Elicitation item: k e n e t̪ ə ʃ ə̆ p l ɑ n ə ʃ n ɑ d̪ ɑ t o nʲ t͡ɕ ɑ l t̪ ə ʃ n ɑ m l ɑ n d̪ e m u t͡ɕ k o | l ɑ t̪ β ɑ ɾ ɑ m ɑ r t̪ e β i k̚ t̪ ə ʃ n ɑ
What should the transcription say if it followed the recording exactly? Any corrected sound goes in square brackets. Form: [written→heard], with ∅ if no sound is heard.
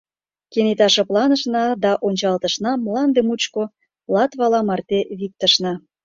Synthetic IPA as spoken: k e n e t̪ [ə→ɑ] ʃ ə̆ p l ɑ n ə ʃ n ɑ d̪ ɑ [t→ʔ] o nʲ t͡ɕ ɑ l t̪ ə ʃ n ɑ m l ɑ n d̪ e m u t͡ɕ k o | l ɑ t̪ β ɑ [ɾ→l] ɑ m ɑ r t̪ e β i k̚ t̪ ə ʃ n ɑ